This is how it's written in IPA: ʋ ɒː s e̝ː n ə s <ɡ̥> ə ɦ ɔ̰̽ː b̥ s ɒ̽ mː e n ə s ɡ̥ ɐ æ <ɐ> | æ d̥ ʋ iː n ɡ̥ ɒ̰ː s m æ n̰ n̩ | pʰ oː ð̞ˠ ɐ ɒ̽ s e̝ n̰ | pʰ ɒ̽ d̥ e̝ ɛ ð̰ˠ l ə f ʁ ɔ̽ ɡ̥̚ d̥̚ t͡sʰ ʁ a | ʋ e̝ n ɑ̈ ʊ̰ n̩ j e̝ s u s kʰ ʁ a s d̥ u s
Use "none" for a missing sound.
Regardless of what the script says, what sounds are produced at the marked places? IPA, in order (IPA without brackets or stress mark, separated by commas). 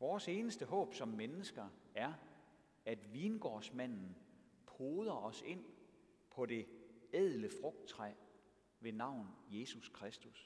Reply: d̥, ɐ